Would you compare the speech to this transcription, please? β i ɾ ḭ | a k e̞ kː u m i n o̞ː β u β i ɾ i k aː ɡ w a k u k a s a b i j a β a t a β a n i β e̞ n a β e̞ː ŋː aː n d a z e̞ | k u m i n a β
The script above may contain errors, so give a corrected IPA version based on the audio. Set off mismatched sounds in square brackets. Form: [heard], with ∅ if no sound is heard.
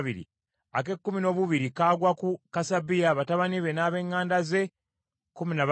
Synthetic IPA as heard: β i ɾ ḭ | a k e̞ kː u m i n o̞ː β u β i ɾ i k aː ɡ w a k u k a s a b i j a β a t a β a n i β e̞ n a β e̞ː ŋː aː n d a z e̞ | k u m i n a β